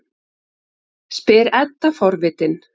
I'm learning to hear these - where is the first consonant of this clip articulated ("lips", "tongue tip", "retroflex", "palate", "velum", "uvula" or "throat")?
tongue tip